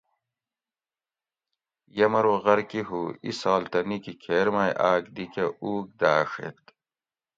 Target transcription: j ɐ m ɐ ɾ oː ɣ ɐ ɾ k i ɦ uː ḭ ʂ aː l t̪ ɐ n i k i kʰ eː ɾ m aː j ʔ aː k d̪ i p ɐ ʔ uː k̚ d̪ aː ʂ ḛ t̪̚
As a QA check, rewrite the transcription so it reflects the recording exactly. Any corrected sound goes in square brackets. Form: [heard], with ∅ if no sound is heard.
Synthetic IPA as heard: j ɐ m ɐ ɾ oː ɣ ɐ ɾ k i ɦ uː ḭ [s] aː l t̪ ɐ n i k i kʰ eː ɾ m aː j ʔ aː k d̪ i [k] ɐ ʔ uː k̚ d̪ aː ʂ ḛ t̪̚